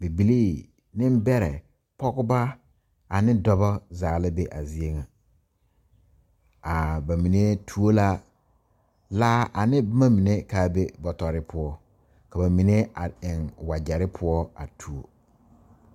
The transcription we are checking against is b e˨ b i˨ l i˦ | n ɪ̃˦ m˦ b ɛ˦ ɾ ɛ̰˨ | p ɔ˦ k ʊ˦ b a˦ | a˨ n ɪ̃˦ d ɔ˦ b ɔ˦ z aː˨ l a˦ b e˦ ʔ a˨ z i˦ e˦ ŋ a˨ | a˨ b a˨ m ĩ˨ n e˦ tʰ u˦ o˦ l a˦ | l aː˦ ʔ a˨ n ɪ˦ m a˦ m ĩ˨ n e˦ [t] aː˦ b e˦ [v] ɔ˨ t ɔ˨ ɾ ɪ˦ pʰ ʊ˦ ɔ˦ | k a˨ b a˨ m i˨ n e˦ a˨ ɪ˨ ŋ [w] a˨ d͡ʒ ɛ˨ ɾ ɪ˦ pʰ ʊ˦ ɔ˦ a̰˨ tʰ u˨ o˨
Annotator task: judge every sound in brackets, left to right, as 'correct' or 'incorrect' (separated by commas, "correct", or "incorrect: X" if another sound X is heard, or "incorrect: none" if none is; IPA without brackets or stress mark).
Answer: incorrect: k, incorrect: b, correct